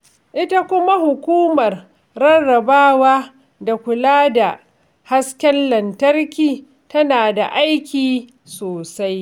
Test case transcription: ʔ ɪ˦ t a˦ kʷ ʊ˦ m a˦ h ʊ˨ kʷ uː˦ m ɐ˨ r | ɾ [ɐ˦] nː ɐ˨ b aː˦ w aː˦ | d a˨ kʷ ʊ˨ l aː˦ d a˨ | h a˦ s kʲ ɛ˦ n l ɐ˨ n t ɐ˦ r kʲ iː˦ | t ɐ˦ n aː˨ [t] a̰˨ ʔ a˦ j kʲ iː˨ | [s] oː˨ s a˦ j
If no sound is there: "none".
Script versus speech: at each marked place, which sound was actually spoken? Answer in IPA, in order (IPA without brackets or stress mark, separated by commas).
ɐ˦, d, s